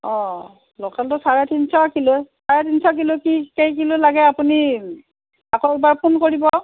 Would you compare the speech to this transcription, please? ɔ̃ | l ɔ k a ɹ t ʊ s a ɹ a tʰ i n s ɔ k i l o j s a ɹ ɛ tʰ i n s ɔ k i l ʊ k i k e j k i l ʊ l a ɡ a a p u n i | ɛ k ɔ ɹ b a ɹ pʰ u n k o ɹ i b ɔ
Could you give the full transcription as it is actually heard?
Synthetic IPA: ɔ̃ | l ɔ k a l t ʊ s a ɹ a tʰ i n s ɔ k i l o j s a ɹ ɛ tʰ i n s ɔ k i l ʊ k i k e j k i l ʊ l a ɡ ɛ a p u n i | a k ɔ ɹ b a ɹ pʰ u n k o ɹ i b ɔ